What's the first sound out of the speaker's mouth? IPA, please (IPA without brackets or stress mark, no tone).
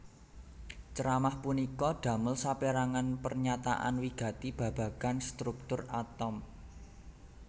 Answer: t͡ʃ